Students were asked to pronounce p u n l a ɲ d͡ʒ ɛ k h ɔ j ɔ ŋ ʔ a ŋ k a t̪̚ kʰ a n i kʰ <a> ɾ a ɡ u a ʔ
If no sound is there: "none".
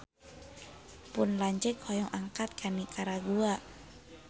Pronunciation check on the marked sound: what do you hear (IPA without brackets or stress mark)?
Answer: a